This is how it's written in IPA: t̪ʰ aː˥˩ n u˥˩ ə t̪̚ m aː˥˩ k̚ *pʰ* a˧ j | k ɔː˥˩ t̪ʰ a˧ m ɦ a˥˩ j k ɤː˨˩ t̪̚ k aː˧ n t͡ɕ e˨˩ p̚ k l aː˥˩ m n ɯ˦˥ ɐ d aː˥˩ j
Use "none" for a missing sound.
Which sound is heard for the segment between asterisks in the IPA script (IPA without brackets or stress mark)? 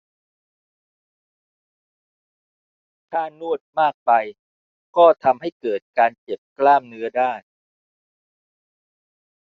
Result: p